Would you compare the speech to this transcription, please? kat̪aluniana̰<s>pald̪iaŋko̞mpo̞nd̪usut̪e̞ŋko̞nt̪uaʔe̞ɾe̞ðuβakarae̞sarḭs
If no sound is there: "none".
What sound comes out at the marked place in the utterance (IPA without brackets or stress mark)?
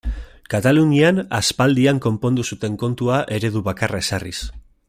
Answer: s